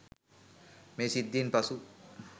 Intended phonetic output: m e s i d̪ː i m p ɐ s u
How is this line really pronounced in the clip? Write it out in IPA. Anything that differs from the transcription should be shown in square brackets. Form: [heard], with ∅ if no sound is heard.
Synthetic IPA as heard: m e s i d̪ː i [n] p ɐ s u